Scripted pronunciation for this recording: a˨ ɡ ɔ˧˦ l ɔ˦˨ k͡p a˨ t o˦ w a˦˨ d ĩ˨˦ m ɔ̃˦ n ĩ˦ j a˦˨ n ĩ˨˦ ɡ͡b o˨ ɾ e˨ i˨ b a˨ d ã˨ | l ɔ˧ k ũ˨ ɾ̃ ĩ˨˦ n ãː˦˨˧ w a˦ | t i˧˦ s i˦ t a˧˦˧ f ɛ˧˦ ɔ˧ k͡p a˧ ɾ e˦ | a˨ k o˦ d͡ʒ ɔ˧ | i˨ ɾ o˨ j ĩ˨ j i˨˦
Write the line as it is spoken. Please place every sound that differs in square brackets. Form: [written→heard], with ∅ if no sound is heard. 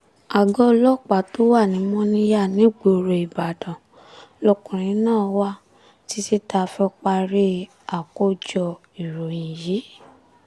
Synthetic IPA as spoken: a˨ ɡ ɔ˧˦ l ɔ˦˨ k͡p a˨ t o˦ w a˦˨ [d→n] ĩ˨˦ m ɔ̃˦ n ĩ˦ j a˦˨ n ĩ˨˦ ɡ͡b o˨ ɾ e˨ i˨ b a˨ d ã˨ | l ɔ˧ k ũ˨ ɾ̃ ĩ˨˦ n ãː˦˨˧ w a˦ | t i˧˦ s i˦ t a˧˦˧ f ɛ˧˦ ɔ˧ k͡p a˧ ɾ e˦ | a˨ k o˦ d͡ʒ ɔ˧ | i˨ ɾ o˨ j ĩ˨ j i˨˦

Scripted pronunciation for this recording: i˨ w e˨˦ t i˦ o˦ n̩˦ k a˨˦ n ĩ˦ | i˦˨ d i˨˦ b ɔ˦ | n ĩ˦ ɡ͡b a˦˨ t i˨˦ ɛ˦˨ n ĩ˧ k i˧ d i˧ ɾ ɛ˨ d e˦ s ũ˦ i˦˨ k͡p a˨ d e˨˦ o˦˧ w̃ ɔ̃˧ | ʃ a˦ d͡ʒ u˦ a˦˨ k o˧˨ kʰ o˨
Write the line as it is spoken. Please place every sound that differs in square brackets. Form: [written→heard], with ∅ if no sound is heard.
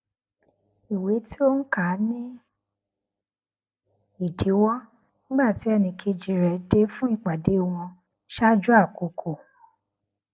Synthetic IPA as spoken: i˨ w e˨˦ t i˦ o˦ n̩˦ k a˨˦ n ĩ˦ | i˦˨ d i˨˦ [b→w] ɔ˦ | n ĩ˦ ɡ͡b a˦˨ t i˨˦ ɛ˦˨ n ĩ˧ k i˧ [d→d͡ʒ] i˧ ɾ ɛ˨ d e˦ [s→f] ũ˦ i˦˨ k͡p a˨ d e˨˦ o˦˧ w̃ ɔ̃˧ | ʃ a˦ d͡ʒ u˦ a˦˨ k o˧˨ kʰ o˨

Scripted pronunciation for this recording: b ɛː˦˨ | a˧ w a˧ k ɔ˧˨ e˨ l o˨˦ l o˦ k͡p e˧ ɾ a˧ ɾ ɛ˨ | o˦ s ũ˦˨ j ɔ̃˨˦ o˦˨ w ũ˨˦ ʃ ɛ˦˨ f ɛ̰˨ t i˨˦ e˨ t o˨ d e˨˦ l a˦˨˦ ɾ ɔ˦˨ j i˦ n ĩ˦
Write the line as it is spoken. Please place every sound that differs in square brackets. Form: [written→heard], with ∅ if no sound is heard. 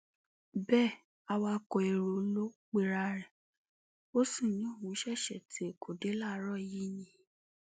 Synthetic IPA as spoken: b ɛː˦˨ | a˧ w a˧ k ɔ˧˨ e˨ [l→ɾ] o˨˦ l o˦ k͡p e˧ ɾ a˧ ɾ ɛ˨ | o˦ s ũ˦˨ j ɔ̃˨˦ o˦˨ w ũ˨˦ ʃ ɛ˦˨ [f→ʃ] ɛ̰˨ t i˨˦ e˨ [t→k] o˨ d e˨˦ l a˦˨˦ ɾ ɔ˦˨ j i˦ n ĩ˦

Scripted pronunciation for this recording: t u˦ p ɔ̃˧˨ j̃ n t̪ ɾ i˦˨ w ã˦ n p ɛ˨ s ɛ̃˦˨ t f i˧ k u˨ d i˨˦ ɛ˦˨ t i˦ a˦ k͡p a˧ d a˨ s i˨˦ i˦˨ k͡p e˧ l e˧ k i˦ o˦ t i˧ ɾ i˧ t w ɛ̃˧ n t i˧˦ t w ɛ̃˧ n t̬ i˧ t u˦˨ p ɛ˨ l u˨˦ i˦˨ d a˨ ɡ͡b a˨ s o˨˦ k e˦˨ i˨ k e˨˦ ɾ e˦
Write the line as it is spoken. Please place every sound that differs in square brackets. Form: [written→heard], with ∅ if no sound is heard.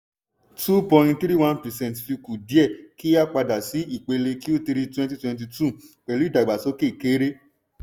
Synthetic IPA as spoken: t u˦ p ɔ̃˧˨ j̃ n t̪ ɾ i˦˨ w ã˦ n p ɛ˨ s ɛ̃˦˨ t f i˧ k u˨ d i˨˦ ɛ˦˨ [t→k] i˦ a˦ k͡p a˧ d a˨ s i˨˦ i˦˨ k͡p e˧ l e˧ k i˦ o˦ t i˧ ɾ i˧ t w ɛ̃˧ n t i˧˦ t w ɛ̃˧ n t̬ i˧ t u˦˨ [p→k͡p] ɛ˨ l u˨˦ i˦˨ d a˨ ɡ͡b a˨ s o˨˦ k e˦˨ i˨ k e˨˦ ɾ e˦

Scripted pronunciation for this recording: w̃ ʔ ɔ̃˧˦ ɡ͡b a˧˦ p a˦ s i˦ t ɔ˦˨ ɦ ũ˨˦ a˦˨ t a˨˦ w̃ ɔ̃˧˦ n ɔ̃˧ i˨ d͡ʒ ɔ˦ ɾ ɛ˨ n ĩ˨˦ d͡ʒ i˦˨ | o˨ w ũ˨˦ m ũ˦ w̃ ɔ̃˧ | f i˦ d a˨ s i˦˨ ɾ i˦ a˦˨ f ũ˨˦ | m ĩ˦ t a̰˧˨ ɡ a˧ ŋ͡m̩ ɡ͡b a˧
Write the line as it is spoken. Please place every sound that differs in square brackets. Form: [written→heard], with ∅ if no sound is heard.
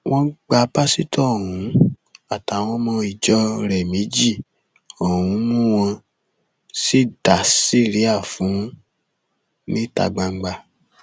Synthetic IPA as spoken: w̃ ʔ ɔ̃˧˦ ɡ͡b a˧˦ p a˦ s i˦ t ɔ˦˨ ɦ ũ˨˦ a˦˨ t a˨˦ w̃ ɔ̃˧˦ [n→m] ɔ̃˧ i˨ d͡ʒ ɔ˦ ɾ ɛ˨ [n→m] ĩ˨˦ d͡ʒ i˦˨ | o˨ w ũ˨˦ m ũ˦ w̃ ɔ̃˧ | [f→s] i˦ d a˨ s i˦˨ ɾ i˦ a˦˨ f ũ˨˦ | [m→n] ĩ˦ t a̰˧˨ [ɡ→ɡ͡b] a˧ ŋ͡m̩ ɡ͡b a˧

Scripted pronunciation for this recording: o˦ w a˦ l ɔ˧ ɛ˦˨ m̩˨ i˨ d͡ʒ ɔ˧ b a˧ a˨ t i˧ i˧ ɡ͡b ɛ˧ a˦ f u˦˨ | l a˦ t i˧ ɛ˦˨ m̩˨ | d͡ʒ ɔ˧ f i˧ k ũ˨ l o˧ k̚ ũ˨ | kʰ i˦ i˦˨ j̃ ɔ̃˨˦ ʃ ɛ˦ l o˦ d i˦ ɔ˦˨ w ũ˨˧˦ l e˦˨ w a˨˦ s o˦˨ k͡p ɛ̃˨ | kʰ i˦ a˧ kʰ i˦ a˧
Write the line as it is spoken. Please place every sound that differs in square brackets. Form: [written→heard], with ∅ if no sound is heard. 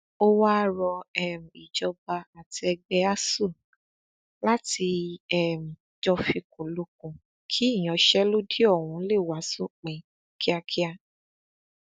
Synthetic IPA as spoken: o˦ w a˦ [l→ɾ] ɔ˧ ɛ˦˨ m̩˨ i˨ d͡ʒ ɔ˧ b a˧ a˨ t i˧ [i˧→ɛ˧] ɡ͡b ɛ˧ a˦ [f→s] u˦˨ | l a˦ t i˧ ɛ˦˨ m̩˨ | d͡ʒ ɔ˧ f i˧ k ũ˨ l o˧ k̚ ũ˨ | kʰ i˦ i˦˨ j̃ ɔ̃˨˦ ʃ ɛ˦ l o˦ d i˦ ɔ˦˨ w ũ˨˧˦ l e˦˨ w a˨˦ s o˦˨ k͡p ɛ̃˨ | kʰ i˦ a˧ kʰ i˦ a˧

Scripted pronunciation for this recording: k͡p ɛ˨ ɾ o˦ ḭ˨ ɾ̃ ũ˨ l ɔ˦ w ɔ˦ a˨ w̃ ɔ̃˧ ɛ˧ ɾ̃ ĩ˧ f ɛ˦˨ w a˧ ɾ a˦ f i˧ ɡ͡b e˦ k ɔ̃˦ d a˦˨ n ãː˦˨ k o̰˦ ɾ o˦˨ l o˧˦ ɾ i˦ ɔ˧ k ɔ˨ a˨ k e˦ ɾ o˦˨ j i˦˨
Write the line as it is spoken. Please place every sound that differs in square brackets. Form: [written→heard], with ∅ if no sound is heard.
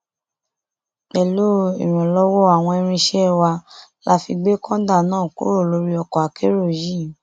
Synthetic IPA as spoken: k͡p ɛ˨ [ɾ→l] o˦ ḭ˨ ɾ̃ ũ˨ l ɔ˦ w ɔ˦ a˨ w̃ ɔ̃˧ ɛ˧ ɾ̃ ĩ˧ [f→ʃ] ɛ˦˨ w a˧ [ɾ→l] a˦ f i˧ ɡ͡b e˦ k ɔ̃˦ d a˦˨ n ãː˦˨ k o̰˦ ɾ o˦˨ l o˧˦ ɾ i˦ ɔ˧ k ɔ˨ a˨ k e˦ ɾ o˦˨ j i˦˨

